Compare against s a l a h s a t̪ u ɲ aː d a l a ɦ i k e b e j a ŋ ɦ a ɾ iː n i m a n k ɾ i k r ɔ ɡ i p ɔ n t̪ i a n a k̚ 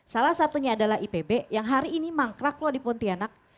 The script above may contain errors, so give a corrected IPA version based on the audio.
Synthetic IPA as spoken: s a l a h s a t̪ u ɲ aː d a l a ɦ i p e b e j a ŋ ɦ a ɾ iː n i m a ŋ k ɾ a k l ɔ d i p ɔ n t̪ i a n a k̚